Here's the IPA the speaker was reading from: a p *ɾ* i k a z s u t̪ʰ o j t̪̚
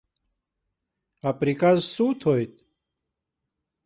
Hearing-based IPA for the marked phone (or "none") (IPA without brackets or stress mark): ɾ